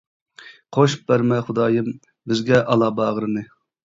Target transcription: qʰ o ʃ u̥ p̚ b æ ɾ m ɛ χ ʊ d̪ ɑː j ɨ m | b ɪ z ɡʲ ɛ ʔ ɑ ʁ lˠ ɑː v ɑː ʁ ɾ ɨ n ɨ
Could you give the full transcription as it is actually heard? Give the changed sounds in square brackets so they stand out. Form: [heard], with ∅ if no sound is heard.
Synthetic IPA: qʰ o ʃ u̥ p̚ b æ ɾ m ɛ χ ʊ d̪ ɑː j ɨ m | b ɪ z ɡʲ ɛ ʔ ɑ [∅] lˠ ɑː [b] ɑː ʁ ɾ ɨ n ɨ